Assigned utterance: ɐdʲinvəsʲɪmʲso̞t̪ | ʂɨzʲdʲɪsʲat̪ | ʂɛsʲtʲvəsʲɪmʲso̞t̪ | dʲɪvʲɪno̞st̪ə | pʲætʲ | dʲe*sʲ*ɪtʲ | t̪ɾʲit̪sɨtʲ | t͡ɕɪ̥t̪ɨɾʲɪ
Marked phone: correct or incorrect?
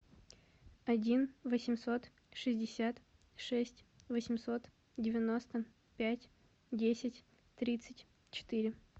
correct